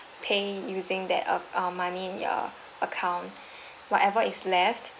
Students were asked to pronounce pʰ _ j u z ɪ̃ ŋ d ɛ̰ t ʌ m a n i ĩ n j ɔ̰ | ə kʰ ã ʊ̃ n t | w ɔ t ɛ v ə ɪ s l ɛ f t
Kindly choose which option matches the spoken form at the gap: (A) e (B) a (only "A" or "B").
A